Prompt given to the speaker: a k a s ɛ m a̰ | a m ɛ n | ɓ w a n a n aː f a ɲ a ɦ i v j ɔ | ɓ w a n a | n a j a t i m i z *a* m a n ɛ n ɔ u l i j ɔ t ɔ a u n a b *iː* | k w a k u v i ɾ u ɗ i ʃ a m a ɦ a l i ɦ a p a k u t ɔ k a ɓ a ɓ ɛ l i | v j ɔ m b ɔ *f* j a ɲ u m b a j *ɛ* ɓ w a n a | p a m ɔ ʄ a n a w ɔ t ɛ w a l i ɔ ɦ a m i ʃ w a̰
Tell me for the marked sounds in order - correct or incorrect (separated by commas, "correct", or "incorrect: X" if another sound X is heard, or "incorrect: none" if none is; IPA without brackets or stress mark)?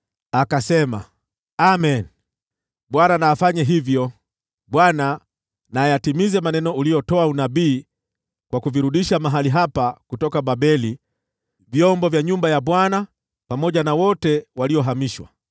incorrect: ɛ, correct, incorrect: v, incorrect: a